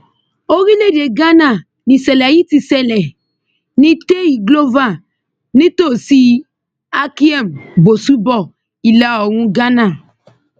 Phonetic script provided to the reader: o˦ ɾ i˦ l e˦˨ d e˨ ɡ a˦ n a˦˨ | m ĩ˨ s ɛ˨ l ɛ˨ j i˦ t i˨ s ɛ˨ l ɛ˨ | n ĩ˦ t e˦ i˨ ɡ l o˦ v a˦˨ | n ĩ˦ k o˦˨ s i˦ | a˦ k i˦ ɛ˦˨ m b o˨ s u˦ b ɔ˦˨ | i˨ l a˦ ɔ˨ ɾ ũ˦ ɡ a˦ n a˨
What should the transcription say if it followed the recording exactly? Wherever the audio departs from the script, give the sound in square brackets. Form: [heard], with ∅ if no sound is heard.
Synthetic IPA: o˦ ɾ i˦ l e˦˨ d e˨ ɡ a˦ n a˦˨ | [n] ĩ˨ s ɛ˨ l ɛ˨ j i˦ t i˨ s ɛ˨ l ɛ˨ | n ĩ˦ t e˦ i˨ ɡ l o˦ v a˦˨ | n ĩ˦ [t] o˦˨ s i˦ | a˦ k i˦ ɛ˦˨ m b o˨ s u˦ b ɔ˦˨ | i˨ l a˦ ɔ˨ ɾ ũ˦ ɡ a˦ n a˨